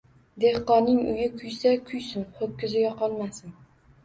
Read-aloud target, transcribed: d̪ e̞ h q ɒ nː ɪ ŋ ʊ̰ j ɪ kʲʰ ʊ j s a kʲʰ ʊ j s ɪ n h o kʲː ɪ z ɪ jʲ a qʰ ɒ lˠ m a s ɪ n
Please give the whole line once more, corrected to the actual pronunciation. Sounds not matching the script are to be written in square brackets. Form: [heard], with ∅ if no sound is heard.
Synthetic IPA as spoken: d̪ e̞ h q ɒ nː ɪ ŋ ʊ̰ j ɪ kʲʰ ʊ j s a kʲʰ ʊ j s ɪ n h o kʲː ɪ z ɪ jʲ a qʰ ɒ lˠ m a s ɪ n